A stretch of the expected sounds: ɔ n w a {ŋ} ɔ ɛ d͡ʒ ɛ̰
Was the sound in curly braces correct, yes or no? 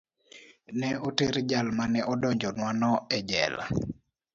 no